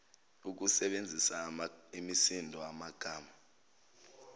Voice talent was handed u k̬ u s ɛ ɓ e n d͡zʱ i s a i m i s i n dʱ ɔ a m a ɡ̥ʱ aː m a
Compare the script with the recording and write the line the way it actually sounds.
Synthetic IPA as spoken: u k̬ u s ɛ ɓ e n d͡zʱ i s a i m i s i n dʱ ɔ a m a ɡ̥ʱ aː m a